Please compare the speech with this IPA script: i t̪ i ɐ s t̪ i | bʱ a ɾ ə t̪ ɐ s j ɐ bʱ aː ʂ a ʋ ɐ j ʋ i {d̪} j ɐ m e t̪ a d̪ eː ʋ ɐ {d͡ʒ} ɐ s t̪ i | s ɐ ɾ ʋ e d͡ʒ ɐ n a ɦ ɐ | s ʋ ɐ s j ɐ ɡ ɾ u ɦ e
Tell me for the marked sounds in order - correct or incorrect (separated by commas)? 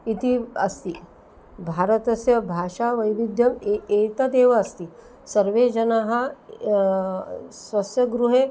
correct, incorrect